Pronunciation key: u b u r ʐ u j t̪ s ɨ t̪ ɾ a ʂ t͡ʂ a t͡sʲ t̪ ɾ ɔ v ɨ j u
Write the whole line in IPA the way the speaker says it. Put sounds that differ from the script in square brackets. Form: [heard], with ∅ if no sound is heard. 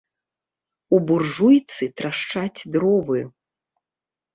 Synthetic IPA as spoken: u b u r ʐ u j t̪ s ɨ t̪ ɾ a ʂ t͡ʂ a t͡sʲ [d̪] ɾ ɔ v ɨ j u